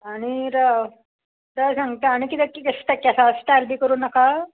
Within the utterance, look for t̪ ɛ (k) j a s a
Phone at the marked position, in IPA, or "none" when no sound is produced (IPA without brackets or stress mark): k